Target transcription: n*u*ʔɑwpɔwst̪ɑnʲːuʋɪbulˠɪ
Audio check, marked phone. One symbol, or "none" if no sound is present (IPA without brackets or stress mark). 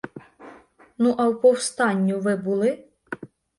u